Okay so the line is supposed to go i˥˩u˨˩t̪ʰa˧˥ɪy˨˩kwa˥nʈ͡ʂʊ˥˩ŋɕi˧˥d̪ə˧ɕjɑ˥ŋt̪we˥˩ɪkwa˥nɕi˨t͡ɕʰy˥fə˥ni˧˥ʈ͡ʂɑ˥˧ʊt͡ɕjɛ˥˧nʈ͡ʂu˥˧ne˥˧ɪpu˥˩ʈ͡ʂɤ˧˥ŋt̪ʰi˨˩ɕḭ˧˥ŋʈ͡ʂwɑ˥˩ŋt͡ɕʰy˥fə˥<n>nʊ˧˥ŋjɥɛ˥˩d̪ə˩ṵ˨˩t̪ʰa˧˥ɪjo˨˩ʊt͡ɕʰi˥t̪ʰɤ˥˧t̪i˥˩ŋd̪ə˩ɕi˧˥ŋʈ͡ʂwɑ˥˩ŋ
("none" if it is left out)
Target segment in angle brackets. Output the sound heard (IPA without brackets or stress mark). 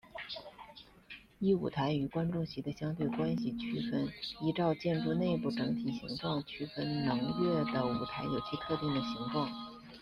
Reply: n